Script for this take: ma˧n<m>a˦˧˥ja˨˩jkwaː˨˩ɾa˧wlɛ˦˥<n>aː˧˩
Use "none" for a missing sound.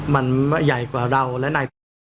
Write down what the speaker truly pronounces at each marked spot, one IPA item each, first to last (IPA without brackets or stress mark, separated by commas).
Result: m, n